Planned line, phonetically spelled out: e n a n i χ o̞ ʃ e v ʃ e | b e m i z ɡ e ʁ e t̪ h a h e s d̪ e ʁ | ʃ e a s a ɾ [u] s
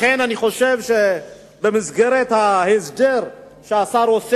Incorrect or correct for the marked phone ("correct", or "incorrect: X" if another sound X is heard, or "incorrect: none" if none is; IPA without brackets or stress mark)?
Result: incorrect: o